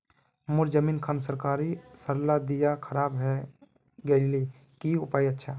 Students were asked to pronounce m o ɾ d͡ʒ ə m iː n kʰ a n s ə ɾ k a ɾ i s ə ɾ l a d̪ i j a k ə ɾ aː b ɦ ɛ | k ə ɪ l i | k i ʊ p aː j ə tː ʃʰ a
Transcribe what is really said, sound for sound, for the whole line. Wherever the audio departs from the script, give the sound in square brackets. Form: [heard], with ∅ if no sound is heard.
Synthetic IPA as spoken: m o ɾ d͡ʒ ə m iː n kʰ a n s ə ɾ k a ɾ i s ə ɾ l a d̪ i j a [kʰ] ə ɾ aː b ɦ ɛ | [ɡ] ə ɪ l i | k i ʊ p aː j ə tː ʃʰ a